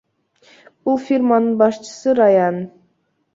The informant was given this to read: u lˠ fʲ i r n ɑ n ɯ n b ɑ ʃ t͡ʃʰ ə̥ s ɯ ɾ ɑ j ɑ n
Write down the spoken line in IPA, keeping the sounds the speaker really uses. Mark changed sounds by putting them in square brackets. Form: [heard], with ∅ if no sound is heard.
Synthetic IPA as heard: u lˠ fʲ i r [m] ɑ n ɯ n b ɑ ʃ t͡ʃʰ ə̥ s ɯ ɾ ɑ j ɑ n